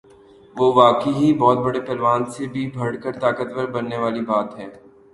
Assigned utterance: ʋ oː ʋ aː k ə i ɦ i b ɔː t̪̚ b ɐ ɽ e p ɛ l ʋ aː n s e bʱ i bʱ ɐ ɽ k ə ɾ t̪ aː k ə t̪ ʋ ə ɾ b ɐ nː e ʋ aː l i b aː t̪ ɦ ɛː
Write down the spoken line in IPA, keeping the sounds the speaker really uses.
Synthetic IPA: ʋ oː ʋ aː k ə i ɦ i b ɔː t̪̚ b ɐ ɽ e p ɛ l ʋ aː n s e bʱ i bʱ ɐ ɽ k ə ɾ t̪ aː k ə t̪ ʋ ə ɾ b ɐ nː e ʋ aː l i b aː t̪ ɦ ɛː